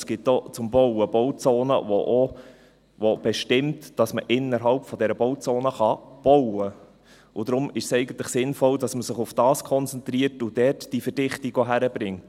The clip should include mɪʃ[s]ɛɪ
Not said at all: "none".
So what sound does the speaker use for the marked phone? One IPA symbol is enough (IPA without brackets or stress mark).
s